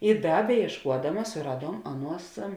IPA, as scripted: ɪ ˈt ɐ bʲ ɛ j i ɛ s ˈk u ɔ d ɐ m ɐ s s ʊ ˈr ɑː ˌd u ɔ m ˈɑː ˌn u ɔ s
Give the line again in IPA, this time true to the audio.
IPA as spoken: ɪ ˈd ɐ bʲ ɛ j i ɛ ʃ ˈk u ɔ d ɐ m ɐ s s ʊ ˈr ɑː ˌd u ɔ m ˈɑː ˌn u ɔ s